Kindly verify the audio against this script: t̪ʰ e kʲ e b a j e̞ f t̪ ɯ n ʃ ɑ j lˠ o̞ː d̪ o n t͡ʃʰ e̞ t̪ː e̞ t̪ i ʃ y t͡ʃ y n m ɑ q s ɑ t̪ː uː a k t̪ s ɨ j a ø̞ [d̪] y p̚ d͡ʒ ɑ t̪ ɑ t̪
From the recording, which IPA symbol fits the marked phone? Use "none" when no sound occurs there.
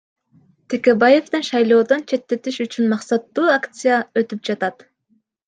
t̪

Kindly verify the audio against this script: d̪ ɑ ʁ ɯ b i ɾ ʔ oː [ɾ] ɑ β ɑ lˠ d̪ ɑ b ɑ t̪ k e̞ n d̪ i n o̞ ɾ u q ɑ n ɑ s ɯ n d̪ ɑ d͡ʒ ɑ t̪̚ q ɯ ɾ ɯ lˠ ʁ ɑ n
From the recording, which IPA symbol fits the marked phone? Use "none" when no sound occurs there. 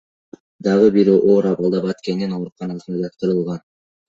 ɾ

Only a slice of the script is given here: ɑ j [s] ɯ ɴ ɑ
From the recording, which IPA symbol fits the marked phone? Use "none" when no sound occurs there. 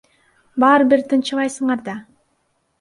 s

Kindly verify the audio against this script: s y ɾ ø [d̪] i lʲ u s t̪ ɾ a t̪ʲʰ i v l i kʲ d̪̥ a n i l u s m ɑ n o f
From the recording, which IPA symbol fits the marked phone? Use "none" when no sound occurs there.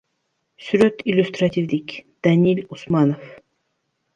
t̪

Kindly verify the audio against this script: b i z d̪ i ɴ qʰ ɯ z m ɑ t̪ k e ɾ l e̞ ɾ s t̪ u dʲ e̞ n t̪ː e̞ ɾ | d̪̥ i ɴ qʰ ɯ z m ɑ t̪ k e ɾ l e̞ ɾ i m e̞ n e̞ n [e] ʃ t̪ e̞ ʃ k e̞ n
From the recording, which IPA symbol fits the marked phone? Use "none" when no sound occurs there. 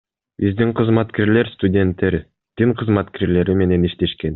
i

